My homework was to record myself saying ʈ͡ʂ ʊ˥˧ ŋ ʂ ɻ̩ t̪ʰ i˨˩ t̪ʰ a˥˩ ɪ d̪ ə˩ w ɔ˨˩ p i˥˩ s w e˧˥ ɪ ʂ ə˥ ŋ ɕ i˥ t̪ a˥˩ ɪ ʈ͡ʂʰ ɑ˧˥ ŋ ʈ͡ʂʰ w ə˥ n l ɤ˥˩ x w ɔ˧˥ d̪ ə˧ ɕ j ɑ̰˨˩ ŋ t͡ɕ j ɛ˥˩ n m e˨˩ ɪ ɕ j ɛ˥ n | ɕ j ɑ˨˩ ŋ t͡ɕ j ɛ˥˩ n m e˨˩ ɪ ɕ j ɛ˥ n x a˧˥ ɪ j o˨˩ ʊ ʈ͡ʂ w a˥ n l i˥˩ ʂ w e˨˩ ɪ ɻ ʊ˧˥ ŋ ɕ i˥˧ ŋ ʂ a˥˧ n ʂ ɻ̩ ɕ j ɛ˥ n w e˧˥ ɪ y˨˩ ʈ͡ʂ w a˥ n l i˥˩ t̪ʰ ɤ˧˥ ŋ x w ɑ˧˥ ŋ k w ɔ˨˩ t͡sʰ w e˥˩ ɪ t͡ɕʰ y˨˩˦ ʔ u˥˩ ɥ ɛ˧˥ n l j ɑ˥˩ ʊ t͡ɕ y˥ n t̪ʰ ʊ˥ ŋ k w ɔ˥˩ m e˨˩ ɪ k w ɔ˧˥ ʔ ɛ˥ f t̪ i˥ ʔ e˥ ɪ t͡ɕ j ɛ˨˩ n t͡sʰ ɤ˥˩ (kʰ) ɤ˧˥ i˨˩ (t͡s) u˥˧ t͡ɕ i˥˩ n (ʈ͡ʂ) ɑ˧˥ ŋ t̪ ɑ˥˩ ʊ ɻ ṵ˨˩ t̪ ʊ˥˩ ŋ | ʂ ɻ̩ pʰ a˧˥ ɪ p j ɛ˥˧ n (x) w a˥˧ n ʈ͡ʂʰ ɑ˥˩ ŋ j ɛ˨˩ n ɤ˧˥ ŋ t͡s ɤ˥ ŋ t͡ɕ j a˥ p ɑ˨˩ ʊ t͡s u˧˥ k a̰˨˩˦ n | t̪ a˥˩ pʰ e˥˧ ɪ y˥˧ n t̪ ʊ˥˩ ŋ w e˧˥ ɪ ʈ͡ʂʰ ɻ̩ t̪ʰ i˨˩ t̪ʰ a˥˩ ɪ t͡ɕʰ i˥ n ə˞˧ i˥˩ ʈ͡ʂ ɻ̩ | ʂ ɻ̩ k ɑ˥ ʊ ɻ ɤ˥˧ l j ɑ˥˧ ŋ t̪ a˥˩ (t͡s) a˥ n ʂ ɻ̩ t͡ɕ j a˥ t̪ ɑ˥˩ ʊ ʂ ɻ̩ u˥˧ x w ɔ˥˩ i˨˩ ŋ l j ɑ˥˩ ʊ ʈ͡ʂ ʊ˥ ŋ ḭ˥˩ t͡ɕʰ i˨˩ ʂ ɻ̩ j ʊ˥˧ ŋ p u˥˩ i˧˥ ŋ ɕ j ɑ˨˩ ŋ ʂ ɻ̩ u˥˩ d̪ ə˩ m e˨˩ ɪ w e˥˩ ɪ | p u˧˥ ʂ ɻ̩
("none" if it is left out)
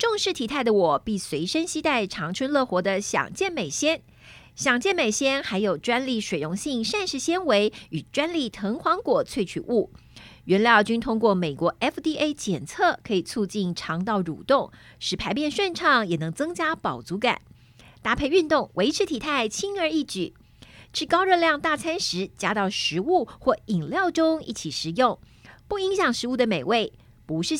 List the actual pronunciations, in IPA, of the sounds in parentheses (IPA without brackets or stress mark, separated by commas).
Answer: kʰ, t͡sʰ, ʈ͡ʂʰ, ʂ, t͡sʰ